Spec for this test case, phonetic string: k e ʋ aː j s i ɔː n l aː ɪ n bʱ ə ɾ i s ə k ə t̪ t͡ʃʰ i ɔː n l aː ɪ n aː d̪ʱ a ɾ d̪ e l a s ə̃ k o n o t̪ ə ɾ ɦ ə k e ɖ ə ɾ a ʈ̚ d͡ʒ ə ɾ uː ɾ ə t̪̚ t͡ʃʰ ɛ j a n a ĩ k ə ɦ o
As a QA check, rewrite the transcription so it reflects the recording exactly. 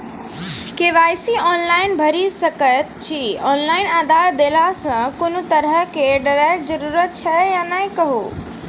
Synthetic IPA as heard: k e ʋ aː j s i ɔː n l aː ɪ n bʱ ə ɾ i s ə k ə t̪ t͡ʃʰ i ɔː n l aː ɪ n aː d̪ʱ a ɾ d̪ e l a s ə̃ k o n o t̪ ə ɾ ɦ ə k e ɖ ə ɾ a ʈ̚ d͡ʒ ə ɾ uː ɾ ə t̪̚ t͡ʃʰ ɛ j a n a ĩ k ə ɦ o